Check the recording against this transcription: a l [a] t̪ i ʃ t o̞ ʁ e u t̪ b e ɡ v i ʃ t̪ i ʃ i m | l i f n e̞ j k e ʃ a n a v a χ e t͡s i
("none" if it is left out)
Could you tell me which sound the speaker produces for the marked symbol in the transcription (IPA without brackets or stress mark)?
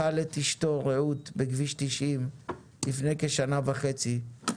e